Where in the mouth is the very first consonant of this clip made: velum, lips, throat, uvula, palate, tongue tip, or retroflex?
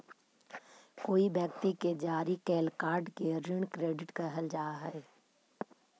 velum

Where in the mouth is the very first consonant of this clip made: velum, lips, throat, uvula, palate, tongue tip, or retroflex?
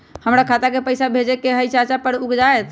throat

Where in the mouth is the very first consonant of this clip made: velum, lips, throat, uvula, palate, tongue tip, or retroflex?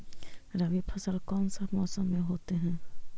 tongue tip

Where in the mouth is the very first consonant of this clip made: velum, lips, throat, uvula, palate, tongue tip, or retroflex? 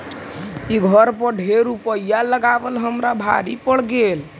velum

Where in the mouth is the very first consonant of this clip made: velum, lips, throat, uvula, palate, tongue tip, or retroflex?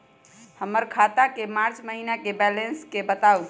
throat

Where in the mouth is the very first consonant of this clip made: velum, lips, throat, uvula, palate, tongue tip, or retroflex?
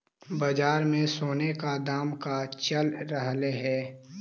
lips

